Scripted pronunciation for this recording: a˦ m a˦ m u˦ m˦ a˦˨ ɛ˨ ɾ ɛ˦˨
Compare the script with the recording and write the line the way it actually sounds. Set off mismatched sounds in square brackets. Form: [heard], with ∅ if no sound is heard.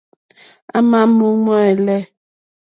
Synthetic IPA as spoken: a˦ m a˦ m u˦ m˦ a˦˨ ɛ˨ [l] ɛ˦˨